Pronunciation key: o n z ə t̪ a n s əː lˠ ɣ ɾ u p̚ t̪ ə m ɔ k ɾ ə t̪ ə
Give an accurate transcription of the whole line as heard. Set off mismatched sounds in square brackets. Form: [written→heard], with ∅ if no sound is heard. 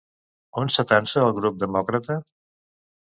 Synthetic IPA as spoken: o n [z→s] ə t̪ a n s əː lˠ ɣ ɾ u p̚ [t̪→d̪] ə m ɔ k ɾ ə t̪ ə